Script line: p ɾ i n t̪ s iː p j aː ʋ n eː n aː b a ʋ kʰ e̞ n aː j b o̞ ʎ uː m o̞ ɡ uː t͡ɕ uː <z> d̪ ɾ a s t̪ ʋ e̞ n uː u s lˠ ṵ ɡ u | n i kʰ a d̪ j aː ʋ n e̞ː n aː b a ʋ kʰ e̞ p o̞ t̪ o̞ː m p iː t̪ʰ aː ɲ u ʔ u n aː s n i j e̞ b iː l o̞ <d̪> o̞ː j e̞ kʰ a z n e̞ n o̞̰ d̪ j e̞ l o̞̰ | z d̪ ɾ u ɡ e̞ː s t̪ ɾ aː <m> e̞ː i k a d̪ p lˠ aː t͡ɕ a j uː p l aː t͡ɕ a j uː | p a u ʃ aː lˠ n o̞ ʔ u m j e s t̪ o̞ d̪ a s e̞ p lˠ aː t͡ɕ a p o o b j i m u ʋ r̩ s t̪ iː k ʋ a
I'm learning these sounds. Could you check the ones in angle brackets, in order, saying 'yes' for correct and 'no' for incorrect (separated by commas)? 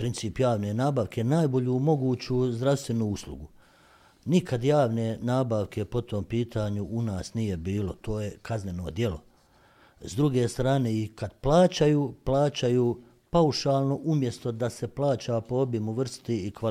yes, no, no